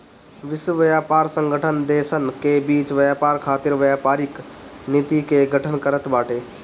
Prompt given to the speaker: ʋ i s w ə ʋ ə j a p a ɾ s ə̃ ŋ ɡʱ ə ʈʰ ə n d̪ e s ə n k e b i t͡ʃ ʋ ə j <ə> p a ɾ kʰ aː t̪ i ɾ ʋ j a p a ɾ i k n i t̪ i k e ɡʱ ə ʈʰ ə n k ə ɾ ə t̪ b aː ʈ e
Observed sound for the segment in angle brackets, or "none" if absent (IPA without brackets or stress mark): a